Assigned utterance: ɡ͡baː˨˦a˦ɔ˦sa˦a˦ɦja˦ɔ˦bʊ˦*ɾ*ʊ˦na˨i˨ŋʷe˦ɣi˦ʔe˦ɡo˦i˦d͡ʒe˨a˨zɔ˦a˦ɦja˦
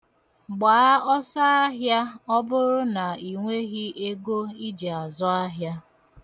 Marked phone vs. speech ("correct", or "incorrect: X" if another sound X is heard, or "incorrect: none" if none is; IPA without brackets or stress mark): correct